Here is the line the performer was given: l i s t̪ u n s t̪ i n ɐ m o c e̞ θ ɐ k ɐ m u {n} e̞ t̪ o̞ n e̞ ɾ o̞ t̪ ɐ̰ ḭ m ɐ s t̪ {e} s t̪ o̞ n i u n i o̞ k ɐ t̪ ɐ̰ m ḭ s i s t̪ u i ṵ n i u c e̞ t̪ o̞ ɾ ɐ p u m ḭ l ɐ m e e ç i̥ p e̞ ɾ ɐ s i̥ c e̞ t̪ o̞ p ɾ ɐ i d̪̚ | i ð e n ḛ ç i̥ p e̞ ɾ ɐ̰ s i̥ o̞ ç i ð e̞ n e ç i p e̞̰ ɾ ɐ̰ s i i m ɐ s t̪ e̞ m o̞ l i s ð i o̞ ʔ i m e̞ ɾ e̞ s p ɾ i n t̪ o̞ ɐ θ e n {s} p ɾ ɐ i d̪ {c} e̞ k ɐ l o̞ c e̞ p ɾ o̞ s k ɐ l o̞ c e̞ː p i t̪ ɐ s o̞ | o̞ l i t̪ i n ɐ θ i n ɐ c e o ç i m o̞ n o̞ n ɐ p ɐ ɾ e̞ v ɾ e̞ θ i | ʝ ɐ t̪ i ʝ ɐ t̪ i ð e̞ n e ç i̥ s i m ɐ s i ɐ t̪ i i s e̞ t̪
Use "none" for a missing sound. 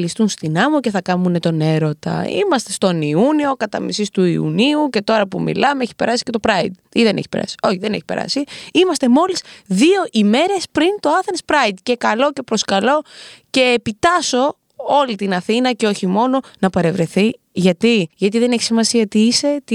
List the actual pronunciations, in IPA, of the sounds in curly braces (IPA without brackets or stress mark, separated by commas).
n, e, s, c